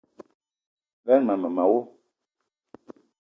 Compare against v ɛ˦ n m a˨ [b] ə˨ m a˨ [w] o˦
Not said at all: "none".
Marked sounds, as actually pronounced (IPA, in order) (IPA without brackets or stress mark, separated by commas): m, w